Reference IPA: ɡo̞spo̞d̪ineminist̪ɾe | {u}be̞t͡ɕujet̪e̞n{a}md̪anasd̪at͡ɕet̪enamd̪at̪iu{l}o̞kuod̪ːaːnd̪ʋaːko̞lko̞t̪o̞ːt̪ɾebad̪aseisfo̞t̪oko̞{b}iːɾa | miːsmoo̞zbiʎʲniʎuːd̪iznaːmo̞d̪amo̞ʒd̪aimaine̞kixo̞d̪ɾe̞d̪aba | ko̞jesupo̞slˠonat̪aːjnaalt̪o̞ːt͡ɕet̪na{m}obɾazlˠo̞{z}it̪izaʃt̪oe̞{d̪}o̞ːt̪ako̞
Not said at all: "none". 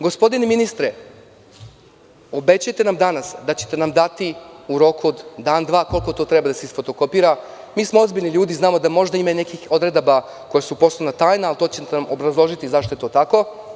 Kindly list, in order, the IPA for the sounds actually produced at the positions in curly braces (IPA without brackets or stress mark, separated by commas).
o, a, ɾ, p, m, ʒ, t̪